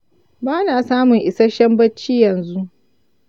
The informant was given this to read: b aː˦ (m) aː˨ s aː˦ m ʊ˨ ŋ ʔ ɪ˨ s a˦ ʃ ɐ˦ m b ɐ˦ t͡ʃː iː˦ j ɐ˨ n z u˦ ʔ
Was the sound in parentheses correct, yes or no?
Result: no